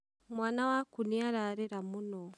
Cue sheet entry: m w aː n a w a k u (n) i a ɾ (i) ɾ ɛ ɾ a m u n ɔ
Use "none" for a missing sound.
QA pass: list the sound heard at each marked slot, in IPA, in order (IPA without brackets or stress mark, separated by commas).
n, a